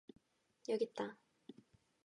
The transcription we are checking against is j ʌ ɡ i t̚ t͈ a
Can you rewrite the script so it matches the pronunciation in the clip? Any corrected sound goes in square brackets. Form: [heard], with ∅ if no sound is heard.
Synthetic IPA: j ʌ ɡ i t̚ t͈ a